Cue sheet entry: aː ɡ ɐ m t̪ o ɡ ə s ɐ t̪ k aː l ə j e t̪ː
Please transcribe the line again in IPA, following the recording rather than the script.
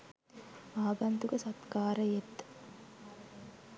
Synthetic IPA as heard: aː ɡ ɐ n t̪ u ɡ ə s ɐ t̪ k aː ɾ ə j e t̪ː